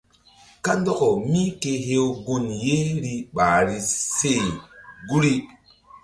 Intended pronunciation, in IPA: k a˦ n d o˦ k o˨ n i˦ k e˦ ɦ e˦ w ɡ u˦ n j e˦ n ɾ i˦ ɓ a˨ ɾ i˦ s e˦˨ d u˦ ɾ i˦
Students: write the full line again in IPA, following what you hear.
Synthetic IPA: k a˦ n d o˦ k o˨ m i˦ k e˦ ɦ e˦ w ɡ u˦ n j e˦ ɾ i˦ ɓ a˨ ɾ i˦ s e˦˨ ɡ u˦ ɾ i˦